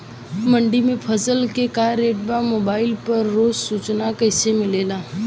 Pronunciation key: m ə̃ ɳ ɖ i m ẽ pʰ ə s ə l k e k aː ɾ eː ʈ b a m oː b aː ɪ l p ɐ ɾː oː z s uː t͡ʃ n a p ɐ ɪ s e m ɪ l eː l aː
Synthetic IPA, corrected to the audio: m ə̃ ɳ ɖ i m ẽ pʰ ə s ə l k e k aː ɾ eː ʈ b a m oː b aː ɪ l p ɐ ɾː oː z s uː t͡ʃ n a k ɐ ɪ s e m ɪ l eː l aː